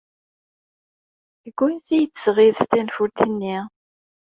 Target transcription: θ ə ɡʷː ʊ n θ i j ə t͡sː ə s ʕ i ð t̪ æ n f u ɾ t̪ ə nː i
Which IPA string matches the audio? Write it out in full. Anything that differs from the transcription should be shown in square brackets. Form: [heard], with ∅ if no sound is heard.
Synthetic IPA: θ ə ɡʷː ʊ n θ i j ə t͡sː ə s [ʁ] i ð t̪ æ n f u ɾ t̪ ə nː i